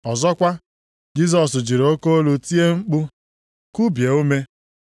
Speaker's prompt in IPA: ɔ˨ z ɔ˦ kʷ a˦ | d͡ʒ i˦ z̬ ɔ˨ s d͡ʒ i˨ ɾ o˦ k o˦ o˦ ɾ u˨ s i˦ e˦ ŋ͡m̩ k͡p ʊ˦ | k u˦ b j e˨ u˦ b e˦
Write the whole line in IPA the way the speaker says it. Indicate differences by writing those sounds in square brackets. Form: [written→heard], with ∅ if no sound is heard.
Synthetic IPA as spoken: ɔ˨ z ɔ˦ kʷ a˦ | d͡ʒ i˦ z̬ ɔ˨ s d͡ʒ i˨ ɾ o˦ k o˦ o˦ [ɾ→l] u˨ [s→t] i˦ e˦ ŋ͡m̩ k͡p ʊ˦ | k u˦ b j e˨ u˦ [b→m] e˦